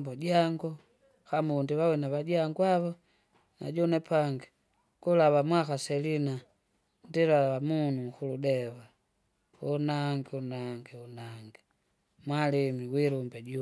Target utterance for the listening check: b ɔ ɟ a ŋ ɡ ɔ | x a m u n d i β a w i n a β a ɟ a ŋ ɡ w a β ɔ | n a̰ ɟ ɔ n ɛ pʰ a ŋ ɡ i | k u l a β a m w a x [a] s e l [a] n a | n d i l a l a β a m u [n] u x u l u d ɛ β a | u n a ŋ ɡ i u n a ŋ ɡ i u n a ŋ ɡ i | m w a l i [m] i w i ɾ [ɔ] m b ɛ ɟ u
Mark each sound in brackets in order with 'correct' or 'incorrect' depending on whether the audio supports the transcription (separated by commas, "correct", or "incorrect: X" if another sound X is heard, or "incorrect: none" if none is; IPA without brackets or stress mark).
correct, incorrect: i, correct, correct, incorrect: u